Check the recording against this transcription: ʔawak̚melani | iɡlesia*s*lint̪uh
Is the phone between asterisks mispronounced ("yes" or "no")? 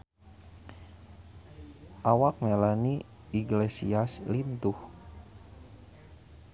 no